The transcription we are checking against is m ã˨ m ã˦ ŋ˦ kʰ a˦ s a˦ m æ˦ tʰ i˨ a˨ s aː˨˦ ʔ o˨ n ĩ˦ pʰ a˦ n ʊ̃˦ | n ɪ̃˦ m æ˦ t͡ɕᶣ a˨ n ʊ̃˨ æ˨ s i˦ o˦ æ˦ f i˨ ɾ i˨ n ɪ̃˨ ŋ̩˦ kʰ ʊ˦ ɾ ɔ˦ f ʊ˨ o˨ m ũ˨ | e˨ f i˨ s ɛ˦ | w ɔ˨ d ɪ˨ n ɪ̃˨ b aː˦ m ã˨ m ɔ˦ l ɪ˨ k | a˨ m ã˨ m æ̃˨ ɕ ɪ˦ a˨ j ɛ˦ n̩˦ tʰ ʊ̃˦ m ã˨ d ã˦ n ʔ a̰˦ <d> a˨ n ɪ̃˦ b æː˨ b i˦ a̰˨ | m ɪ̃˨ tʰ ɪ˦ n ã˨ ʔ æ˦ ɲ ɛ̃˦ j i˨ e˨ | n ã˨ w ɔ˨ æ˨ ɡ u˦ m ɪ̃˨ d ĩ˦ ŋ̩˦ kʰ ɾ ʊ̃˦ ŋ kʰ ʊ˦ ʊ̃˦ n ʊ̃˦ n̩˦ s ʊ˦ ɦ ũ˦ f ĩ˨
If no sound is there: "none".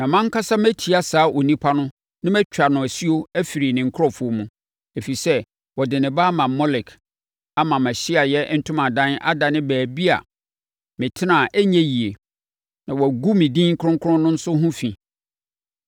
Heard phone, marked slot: d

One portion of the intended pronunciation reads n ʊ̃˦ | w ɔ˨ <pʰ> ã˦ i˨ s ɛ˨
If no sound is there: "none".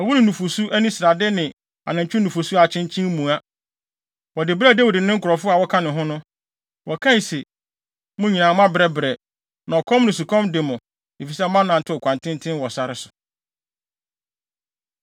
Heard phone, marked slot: kʰ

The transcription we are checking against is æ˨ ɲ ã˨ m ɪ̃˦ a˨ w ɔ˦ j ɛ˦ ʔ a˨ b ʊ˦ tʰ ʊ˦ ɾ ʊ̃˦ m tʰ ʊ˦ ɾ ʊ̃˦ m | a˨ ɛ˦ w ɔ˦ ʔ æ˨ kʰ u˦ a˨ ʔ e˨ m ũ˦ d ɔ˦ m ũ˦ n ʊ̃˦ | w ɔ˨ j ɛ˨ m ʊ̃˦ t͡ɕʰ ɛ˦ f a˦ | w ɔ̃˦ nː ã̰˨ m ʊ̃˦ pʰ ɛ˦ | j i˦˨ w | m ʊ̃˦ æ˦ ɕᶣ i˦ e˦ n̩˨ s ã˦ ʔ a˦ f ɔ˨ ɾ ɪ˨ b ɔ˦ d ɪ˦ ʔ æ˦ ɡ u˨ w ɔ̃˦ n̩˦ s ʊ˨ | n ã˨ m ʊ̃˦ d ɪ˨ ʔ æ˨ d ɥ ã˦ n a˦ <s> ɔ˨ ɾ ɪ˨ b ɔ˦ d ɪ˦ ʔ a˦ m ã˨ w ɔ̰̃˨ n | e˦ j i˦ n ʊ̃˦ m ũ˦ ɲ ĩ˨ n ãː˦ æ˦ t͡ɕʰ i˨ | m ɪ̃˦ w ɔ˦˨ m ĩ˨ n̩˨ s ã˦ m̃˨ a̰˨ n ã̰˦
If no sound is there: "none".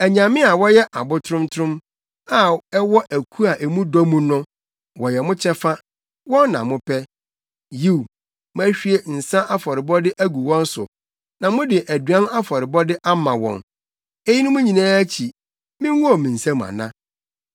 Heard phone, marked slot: f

